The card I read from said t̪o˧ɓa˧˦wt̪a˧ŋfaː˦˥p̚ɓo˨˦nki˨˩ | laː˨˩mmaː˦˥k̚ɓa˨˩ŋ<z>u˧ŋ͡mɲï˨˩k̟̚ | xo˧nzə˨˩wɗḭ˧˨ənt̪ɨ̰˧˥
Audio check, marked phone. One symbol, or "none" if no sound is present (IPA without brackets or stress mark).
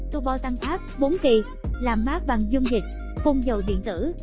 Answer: z